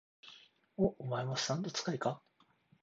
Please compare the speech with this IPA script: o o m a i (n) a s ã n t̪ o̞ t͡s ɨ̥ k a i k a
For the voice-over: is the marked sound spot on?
no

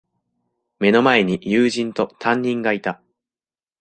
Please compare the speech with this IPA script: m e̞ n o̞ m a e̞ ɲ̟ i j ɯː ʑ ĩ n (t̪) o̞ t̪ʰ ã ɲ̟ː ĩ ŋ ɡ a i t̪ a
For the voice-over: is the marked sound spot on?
yes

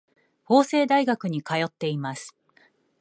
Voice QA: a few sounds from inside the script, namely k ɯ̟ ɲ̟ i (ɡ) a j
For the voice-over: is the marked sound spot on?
no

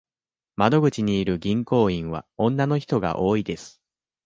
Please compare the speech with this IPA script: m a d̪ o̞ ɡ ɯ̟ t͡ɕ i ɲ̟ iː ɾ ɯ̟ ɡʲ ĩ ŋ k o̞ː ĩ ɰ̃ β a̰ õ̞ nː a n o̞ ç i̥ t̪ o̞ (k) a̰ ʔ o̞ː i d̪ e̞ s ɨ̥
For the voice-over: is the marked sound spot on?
no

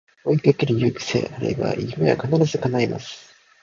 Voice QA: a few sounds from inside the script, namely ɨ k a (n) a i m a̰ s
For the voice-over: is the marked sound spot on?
yes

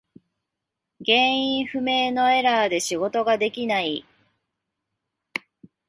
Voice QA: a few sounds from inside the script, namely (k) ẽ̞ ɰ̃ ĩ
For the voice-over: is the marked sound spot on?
no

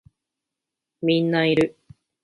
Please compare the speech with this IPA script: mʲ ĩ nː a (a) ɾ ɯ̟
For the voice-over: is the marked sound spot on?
no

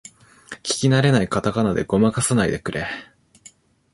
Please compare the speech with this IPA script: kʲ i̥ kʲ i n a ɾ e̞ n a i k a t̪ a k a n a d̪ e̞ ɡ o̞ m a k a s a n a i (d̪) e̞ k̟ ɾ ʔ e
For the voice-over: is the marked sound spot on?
yes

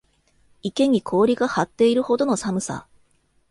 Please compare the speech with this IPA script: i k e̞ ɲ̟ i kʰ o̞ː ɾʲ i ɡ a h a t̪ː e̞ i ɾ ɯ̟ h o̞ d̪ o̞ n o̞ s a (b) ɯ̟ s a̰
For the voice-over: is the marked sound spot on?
no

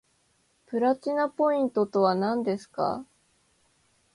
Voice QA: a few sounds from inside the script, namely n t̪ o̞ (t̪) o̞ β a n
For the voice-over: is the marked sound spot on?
yes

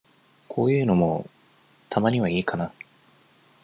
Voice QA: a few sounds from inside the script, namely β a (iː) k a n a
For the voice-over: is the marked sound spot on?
yes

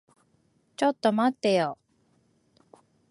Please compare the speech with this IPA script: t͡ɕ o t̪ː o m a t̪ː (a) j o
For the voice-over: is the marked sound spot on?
no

